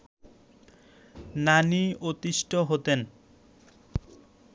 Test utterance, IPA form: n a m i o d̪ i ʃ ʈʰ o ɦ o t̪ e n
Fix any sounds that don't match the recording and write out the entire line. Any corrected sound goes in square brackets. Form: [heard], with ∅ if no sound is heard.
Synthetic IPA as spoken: n a [n] i o [t̪] i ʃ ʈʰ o ɦ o t̪ e n